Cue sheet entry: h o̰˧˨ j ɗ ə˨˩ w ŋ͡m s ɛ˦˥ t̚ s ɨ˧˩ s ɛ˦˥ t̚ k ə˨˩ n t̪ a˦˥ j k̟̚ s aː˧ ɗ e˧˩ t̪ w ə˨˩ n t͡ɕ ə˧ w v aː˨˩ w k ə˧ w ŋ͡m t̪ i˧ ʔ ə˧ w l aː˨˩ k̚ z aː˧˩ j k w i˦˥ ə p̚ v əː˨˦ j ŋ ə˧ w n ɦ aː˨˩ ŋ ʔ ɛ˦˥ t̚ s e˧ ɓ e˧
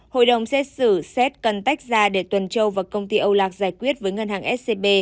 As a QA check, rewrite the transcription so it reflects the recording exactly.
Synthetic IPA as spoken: h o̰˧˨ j ɗ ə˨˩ w ŋ͡m s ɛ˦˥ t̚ s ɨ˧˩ s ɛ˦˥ t̚ k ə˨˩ n t̪ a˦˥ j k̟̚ z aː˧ ɗ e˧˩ t̪ w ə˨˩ n t͡ɕ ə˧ w v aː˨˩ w k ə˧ w ŋ͡m t̪ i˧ ʔ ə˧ w l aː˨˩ k̚ z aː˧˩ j k w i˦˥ ə t̚ v əː˨˦ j ŋ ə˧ n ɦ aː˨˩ ŋ ʔ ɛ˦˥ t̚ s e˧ ɓ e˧